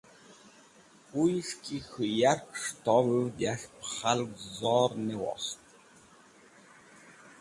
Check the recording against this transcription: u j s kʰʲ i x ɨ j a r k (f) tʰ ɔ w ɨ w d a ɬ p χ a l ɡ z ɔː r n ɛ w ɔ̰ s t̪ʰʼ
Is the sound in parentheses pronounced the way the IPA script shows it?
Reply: no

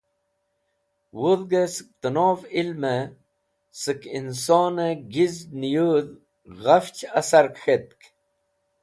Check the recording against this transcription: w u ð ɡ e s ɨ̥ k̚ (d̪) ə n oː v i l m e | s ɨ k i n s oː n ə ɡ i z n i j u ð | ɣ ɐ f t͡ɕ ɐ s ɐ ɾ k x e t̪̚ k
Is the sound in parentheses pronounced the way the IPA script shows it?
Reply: no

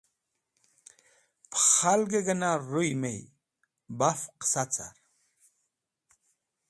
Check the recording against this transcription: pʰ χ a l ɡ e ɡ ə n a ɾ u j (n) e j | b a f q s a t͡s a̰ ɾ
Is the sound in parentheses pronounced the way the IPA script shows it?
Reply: no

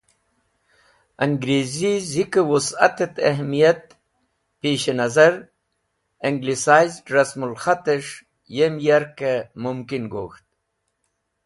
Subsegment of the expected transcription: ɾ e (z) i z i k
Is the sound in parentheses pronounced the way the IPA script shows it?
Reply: yes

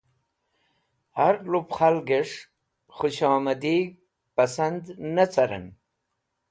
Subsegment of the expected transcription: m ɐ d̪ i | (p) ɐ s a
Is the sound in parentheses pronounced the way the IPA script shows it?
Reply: yes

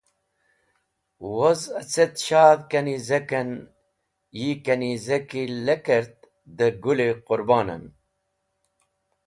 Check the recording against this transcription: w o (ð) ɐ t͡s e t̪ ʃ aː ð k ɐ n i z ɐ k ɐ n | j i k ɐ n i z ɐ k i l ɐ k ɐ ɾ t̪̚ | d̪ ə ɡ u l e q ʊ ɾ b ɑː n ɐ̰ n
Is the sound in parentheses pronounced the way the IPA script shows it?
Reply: no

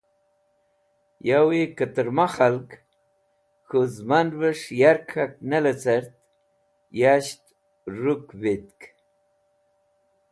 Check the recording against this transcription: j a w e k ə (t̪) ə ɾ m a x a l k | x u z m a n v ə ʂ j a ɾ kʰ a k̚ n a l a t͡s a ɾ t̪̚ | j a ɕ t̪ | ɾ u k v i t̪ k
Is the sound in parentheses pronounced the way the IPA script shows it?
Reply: yes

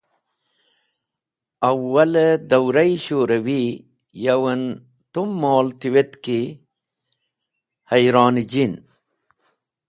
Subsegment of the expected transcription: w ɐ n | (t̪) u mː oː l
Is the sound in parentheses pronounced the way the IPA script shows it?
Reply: yes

